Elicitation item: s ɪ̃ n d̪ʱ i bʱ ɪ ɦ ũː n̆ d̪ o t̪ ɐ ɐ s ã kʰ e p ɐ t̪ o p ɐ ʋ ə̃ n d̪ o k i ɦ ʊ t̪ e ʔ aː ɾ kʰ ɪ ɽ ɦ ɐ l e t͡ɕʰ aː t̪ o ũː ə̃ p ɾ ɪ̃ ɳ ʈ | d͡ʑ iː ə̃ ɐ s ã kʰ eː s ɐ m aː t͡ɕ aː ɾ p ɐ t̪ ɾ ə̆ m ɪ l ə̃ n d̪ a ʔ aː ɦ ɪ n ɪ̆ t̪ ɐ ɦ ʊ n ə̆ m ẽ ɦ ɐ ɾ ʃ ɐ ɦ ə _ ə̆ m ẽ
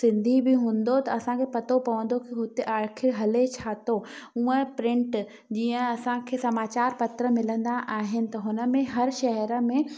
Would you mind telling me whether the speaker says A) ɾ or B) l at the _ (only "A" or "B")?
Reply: A